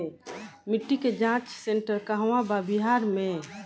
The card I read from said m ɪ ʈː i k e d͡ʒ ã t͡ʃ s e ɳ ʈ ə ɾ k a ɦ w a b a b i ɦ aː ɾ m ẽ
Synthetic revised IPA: m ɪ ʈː i k e d͡ʒ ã t͡ʃ s e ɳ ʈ ə ɾ k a ɦ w a b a b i ɦ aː ɾ m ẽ

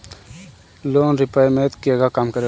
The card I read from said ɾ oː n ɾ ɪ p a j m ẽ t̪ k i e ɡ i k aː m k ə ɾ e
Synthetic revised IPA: l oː n ɾ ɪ p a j m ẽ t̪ k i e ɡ a k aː m k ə ɾ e

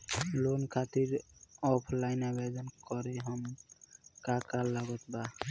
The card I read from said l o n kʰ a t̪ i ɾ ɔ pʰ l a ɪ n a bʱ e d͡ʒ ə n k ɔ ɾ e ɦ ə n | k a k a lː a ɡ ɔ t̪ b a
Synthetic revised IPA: l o n kʰ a t̪ i ɾ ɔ pʰ l a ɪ n a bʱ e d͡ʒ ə n k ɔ ɾ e ɦ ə m | k a k a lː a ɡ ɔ t̪ b a

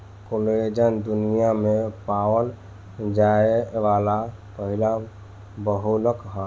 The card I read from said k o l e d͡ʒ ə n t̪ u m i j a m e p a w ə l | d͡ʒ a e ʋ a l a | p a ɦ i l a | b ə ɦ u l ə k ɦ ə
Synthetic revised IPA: k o l e d͡ʒ ə n d̪ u n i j a m e p a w ə l | d͡ʒ a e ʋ a l a | p ə ɦ i l a | b ə ɦ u l ə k ɦ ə

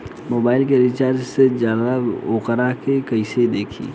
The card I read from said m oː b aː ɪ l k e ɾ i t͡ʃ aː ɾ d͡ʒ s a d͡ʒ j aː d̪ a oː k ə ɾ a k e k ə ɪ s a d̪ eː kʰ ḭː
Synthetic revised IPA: m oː b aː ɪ l k e ɾ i t͡ʃ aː ɾ d͡ʒ s e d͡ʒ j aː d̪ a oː k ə ɾ a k e k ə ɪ s e d̪ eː kʰ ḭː

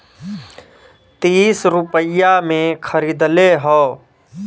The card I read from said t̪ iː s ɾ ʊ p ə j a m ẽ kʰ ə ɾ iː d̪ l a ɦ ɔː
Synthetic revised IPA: t̪ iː s ɾ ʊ p ə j a m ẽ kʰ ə ɾ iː d̪ l e ɦ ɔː

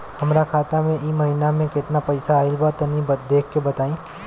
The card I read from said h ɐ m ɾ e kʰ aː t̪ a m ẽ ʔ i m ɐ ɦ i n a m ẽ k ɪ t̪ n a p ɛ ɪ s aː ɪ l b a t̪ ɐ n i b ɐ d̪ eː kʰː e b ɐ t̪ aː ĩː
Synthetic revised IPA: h ɐ m ɾ a kʰ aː t̪ a m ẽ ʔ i m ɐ ɦ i n a m ẽ k ɪ t̪ n a p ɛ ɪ s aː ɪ l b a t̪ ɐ n i b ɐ d̪ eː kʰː e b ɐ t̪ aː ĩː

